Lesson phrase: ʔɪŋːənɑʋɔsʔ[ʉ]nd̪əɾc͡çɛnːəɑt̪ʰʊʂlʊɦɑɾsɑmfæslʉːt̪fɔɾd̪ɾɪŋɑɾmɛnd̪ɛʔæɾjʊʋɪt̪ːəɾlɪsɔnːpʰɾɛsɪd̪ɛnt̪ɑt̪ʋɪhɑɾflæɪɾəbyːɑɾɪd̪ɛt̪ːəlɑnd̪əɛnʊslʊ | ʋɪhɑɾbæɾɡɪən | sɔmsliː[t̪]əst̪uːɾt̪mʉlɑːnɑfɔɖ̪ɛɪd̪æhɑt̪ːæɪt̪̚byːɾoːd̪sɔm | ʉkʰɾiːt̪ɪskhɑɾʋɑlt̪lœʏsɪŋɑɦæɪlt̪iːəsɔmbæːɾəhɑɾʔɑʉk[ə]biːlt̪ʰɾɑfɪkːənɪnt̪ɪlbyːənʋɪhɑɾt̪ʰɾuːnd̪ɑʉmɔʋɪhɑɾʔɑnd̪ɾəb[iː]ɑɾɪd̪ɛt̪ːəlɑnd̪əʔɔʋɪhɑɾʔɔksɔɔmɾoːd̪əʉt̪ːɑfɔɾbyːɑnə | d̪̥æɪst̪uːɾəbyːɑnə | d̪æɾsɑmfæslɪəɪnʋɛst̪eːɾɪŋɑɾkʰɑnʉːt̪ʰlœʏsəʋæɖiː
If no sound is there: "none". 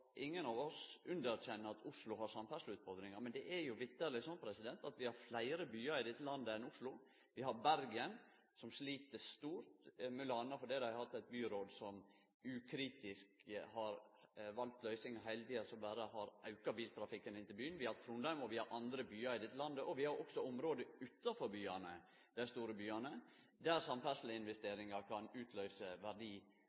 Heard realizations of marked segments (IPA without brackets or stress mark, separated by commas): ʉ, t̪, ɑ, yː